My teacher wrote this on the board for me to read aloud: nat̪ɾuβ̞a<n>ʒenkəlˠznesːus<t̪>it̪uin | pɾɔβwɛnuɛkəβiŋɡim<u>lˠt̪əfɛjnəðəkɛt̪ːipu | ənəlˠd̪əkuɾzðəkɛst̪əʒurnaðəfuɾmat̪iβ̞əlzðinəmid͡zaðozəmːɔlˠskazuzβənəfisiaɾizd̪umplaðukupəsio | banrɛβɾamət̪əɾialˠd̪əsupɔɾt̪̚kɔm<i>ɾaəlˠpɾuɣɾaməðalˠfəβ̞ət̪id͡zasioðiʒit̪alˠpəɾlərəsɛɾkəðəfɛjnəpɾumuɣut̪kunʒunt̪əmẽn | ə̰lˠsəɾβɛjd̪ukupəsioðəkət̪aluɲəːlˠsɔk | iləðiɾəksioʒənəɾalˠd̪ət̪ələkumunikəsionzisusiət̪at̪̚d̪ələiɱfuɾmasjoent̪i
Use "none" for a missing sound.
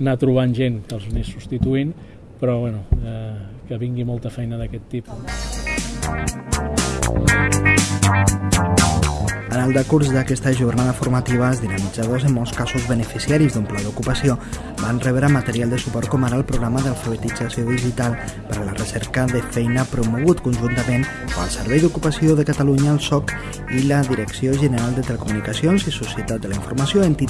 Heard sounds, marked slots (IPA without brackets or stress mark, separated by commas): n, t̪, ɔ, a